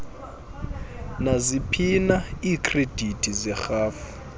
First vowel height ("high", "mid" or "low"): low